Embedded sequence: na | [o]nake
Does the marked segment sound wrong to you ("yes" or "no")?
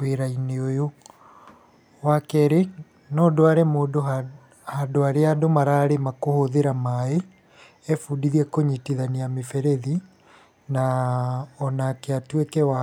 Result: yes